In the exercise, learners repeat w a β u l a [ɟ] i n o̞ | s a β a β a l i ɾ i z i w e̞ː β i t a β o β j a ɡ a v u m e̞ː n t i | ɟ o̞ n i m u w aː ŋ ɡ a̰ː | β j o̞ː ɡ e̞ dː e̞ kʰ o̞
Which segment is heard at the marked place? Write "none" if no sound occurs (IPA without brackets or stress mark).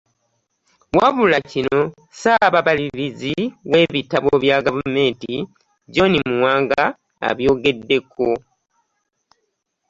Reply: c